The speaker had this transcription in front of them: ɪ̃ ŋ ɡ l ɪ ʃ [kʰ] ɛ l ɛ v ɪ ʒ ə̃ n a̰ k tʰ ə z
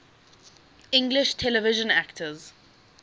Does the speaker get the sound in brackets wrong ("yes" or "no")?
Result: yes